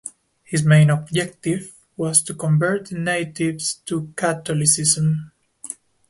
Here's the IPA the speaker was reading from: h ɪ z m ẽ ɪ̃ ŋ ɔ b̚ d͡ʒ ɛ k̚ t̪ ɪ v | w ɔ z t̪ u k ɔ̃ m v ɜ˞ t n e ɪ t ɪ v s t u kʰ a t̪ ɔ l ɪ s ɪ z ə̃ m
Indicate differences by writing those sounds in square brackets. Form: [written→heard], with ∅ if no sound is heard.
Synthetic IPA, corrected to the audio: h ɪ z m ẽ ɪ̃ [ŋ→n] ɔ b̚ d͡ʒ ɛ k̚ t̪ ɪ v | w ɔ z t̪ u k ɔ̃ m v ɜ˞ t n e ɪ t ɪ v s t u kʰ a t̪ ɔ l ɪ s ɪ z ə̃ m